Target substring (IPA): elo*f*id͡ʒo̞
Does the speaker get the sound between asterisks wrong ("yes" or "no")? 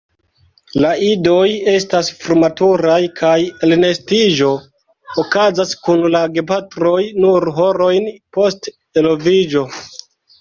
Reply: yes